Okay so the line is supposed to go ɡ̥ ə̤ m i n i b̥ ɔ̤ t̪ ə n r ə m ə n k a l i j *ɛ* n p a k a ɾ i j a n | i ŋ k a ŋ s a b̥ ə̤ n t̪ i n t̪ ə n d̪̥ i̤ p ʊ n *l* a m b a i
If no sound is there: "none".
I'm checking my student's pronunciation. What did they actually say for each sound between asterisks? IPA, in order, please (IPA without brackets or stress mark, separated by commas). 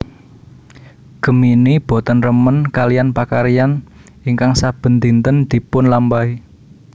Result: a, l